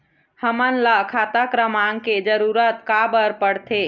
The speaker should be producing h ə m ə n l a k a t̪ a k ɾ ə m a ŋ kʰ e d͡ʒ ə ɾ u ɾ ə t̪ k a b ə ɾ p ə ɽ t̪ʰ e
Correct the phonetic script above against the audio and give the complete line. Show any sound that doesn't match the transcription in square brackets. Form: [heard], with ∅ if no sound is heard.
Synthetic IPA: h ə m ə n l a [kʰ] a t̪ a k ɾ ə m a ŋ [k] e d͡ʒ ə ɾ u ɾ ə t̪ k a b ə ɾ p ə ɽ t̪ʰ e

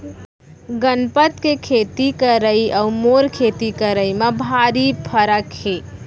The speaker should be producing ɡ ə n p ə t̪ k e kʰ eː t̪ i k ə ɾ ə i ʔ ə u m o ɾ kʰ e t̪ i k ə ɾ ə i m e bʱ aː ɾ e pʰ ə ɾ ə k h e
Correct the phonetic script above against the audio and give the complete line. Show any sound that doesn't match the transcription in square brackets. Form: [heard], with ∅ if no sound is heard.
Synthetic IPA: ɡ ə n p ə t̪ k e kʰ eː t̪ i k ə ɾ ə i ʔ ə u m o ɾ kʰ e t̪ i k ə ɾ ə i m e bʱ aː ɾ [i] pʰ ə ɾ ə k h e

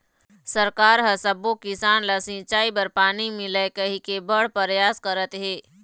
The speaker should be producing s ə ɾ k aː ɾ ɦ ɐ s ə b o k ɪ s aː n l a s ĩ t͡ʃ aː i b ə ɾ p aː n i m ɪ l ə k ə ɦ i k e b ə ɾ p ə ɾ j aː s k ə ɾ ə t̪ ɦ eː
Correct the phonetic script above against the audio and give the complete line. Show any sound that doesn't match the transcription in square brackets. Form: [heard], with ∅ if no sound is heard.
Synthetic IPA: s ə ɾ k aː ɾ ɦ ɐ s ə b o k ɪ s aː n l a s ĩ t͡ʃ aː i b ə ɾ p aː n i m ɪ l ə k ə ɦ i k e b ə [ɽ] p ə ɾ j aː s k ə ɾ ə t̪ ɦ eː

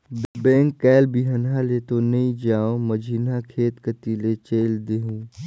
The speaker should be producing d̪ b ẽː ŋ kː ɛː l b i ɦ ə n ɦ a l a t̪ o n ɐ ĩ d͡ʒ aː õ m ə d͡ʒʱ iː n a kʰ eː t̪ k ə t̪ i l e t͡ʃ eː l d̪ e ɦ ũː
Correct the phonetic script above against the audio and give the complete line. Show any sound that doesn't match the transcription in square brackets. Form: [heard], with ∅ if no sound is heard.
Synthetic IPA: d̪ b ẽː ŋ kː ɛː l b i ɦ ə n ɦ a l [e] t̪ o n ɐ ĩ d͡ʒ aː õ m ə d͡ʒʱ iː n a kʰ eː t̪ k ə t̪ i l e t͡ʃ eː l d̪ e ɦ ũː

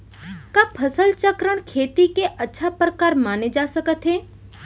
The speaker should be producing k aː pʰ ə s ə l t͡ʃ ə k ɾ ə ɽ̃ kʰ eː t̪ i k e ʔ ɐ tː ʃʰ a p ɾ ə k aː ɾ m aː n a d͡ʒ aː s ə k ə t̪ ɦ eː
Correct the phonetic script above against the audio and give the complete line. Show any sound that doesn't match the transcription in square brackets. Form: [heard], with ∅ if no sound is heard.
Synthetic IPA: k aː pʰ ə s ə l t͡ʃ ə k ɾ ə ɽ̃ kʰ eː t̪ i k e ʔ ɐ tː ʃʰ a p ɾ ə k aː ɾ m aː n [e] d͡ʒ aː s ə k ə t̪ ɦ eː

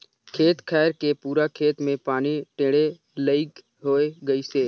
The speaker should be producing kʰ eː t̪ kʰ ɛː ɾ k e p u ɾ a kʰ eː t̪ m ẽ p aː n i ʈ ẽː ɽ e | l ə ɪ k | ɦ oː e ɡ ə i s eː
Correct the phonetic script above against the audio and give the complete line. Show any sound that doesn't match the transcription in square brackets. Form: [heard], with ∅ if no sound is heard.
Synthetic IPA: kʰ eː t̪ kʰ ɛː ɾ k e p [uː] ɾ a kʰ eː t̪ m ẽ p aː n i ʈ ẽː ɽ e | l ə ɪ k | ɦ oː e ɡ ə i s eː

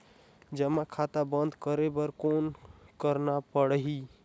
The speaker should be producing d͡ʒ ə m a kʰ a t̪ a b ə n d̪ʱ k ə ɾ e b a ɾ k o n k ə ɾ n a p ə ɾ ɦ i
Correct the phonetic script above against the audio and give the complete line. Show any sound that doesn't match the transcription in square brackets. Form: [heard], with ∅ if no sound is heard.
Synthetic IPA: d͡ʒ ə m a kʰ a t̪ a b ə n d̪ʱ k ə ɾ e b [ə] ɾ k o n k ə ɾ n a p ə [ɽ] ɦ i

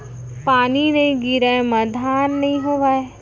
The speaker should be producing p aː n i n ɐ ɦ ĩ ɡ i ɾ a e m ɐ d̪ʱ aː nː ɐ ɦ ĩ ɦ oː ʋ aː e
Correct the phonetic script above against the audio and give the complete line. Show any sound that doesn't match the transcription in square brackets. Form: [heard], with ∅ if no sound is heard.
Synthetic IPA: p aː n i n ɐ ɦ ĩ ɡ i ɾ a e m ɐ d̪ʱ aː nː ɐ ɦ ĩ ɦ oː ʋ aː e

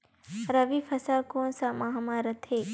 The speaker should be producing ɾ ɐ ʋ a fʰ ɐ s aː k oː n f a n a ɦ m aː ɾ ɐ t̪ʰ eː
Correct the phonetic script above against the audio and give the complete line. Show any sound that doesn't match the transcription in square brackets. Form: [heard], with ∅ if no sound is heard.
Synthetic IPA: ɾ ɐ ʋ [i] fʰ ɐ s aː k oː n [s] a [m] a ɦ m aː ɾ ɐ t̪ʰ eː

